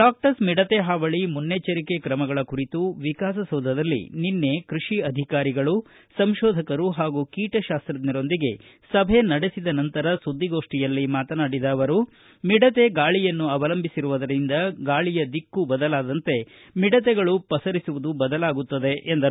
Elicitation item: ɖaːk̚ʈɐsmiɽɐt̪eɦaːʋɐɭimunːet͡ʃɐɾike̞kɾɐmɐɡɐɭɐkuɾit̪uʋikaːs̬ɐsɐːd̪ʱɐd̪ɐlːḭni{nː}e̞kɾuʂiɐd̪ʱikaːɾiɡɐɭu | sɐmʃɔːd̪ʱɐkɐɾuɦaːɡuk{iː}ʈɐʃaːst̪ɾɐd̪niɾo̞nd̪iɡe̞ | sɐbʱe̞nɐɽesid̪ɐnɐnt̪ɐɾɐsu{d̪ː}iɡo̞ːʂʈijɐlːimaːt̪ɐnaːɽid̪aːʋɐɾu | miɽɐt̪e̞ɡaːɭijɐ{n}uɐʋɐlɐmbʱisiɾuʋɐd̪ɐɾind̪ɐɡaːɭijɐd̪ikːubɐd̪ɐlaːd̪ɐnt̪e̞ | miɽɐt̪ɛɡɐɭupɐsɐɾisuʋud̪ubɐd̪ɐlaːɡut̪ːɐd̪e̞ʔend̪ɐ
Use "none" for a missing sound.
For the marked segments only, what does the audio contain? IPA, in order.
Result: nː, iː, d̪ː, nː

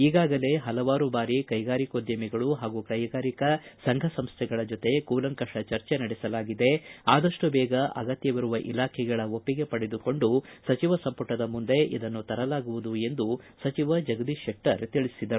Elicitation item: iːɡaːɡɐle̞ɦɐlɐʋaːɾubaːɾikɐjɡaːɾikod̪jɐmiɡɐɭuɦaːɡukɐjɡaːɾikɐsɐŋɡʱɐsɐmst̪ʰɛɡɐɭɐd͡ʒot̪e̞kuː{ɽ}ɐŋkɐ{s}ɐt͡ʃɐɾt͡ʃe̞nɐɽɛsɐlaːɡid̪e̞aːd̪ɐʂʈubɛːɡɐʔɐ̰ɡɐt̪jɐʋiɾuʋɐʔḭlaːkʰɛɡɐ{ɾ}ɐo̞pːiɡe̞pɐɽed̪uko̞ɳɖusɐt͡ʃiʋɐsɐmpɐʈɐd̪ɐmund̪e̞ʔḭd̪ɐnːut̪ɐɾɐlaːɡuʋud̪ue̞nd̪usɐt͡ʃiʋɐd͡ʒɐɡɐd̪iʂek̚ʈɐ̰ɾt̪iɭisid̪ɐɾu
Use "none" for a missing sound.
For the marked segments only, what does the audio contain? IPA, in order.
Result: l, ʂ, ɭ

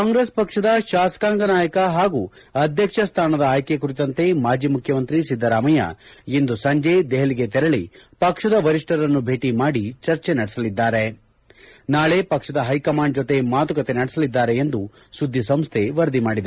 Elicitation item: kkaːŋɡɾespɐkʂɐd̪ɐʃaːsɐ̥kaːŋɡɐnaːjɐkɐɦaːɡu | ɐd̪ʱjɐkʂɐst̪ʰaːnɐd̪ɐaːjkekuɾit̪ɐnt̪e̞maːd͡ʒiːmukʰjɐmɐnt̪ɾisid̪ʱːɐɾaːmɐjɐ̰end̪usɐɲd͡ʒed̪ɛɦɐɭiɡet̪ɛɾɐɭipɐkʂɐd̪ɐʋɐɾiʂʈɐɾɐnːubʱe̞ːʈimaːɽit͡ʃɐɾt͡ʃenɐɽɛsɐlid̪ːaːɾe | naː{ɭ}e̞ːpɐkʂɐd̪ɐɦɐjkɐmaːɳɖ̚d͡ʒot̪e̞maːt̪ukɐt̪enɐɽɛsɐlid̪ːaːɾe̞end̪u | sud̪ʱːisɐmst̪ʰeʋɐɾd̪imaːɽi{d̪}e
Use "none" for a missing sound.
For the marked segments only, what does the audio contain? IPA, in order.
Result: ɭ, d̪

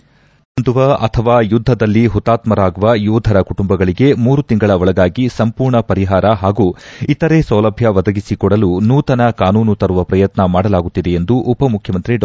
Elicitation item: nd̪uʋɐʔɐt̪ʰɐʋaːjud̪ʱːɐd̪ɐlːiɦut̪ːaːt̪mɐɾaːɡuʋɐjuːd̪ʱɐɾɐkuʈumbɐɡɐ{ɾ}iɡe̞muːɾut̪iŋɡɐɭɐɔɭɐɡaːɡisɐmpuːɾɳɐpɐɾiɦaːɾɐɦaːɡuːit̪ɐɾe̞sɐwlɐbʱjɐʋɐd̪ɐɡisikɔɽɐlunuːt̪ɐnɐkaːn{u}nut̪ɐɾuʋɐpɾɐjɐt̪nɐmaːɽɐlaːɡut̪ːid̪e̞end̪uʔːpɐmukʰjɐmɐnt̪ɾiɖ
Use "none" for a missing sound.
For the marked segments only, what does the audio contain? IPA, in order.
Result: ɭ, uː

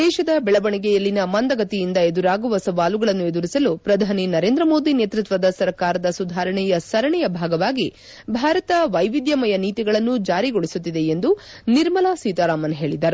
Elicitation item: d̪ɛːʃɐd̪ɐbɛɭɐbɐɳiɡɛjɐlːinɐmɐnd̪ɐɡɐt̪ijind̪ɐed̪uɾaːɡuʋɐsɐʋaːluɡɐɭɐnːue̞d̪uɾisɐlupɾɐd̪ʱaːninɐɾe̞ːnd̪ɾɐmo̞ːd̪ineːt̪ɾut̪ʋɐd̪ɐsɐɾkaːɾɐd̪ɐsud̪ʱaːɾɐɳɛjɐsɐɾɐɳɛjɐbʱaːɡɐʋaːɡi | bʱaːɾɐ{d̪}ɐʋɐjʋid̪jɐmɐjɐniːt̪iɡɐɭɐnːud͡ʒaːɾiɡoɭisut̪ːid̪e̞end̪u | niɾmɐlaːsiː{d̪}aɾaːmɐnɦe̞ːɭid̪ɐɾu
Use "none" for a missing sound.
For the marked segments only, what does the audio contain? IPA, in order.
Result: t̪, t̪

